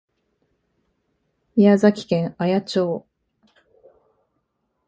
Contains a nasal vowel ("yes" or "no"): yes